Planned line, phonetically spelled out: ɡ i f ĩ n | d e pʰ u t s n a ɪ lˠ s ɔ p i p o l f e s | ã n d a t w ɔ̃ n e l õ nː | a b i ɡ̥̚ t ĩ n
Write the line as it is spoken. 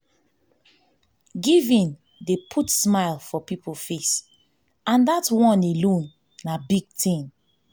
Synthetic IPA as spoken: ɡ i v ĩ n | d e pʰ u t s m a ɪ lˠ f ɔ p i p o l f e s | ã n d a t w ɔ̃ n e l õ nː | a b i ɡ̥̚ t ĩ n